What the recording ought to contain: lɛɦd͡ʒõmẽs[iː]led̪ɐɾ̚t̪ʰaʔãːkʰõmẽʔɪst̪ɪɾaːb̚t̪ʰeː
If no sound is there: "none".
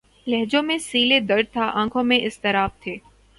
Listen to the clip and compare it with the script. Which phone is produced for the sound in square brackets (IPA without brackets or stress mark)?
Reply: iː